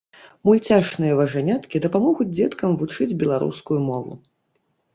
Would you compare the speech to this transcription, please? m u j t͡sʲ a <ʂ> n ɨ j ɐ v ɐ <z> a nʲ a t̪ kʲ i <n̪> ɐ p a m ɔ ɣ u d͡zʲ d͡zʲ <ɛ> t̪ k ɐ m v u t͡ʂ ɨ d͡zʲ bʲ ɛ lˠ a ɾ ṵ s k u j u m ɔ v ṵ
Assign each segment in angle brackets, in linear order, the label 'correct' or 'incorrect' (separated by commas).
correct, incorrect, incorrect, correct